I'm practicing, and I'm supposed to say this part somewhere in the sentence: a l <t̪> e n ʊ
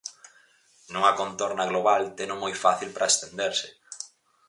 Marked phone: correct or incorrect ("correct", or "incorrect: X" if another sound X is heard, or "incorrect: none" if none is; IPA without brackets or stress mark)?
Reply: correct